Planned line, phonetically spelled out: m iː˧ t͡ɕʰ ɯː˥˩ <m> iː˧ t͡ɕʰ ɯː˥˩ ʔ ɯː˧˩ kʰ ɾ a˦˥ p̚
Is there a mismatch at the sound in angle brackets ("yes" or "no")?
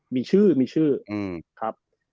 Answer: no